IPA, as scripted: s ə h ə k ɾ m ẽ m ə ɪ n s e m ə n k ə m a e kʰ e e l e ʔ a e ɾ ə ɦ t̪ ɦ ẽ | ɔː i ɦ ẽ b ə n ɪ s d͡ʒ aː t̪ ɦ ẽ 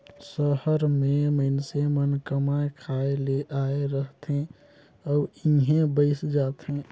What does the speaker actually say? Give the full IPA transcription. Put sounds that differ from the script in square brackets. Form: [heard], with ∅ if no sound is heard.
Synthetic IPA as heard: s ə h ə [∅] ɾ m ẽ m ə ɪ n s e m ə n k ə m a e kʰ [a] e l e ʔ a e ɾ ə ɦ t̪ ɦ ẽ | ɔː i ɦ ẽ b ə [∅] ɪ s d͡ʒ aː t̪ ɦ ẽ